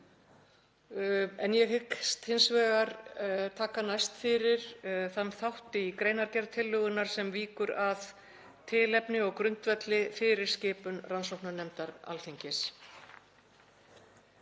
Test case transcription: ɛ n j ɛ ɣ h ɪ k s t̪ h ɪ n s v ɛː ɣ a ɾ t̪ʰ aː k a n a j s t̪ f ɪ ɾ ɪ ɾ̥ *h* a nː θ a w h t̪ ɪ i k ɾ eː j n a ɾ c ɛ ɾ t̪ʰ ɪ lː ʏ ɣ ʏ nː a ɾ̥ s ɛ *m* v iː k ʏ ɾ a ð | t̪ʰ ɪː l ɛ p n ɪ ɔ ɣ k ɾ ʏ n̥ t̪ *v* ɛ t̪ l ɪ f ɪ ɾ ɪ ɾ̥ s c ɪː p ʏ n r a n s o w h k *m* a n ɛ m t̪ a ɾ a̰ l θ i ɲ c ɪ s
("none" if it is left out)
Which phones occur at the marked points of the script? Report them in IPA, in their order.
θ, m, v, n

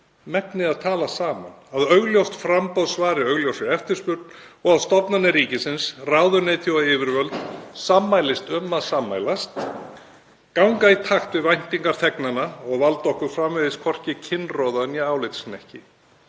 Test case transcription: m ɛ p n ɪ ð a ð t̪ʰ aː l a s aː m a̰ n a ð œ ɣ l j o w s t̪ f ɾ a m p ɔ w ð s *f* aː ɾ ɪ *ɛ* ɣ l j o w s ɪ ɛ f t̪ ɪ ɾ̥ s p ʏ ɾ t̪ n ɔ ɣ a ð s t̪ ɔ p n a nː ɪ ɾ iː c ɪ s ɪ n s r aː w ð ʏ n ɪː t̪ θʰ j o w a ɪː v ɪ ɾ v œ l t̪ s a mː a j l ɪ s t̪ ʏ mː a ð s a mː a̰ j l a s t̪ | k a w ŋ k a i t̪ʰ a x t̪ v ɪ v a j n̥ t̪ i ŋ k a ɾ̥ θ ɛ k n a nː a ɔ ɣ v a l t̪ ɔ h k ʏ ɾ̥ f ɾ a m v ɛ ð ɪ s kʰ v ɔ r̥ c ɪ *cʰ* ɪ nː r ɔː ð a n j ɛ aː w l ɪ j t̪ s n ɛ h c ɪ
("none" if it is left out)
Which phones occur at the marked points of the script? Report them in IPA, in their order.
v, œ, cʰ

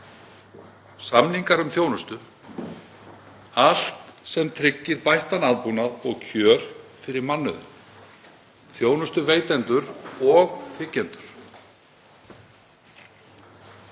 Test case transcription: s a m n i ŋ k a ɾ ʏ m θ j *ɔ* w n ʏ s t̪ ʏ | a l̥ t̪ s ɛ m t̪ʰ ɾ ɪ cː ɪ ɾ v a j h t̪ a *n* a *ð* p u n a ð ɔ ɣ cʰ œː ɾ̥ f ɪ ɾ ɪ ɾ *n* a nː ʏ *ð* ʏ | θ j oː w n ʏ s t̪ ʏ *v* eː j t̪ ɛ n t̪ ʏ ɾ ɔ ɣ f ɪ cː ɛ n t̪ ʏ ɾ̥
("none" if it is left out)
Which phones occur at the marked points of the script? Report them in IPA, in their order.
o, n, ð, m, ð, v

